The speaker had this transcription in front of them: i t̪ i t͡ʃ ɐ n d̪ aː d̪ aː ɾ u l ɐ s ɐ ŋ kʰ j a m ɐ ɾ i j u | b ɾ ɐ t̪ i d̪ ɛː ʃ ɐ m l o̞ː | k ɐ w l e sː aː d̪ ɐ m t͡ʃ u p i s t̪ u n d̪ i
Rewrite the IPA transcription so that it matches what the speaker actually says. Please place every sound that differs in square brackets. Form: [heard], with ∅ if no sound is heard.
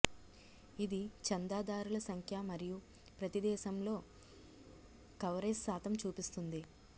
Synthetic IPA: i [d̪] i t͡ʃ ɐ n d̪ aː d̪ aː ɾ u l ɐ s ɐ ŋ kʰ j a m ɐ ɾ i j u | [p] ɾ ɐ t̪ i d̪ ɛː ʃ ɐ m l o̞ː | k ɐ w [ɾ] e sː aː [t̪] ɐ m t͡ʃ [uː] p i s t̪ u n d̪ i